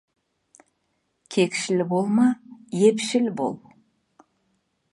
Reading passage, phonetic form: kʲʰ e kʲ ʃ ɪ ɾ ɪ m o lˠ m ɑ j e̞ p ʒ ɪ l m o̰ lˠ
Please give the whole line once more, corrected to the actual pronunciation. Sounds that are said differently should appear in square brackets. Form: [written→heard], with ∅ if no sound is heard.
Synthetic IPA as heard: kʲʰ e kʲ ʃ ɪ [ɾ→l] ɪ [m→b] o lˠ m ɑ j e̞ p [ʒ→ʃ] ɪ l [m→b] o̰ lˠ